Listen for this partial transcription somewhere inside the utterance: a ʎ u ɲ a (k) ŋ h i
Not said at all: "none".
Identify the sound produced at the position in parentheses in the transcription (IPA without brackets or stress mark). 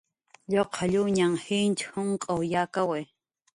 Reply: none